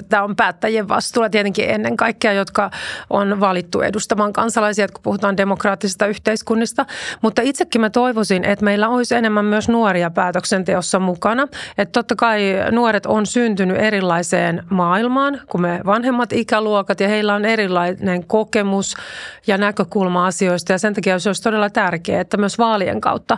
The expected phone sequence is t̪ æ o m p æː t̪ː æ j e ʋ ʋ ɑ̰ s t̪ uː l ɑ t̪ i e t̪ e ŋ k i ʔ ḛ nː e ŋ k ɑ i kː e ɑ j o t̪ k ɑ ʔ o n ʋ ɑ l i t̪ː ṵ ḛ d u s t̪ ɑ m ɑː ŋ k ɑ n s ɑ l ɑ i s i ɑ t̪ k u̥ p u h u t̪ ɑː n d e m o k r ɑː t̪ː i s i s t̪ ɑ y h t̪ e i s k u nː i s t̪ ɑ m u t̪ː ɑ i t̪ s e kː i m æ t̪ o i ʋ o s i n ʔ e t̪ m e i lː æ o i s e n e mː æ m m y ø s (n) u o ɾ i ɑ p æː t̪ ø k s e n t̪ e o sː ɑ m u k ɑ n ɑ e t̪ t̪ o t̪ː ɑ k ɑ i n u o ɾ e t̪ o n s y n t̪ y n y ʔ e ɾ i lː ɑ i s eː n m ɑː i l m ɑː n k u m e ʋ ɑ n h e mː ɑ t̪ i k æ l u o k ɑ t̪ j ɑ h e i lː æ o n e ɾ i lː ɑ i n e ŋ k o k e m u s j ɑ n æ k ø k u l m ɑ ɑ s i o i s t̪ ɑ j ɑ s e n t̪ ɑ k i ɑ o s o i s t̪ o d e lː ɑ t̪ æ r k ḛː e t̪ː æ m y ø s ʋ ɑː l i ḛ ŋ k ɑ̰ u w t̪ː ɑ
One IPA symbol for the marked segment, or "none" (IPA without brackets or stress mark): n